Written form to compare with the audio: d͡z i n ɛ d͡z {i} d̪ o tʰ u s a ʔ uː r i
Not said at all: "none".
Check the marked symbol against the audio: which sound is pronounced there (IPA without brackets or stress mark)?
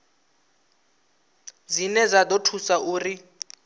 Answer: a